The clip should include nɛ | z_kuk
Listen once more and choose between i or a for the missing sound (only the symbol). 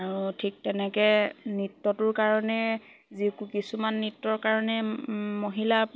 i